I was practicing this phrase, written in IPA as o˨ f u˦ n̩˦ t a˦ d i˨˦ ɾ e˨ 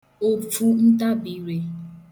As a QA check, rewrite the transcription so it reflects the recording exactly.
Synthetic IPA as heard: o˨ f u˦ n̩˦ t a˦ b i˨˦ ɾ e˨